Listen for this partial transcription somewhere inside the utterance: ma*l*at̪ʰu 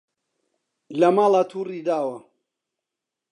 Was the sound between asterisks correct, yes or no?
yes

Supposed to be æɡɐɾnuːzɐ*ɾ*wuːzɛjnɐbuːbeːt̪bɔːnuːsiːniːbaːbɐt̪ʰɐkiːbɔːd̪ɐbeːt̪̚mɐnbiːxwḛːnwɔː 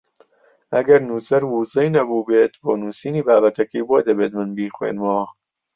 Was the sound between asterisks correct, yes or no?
yes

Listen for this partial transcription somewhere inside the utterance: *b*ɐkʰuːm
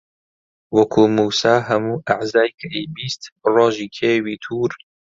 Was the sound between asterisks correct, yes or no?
no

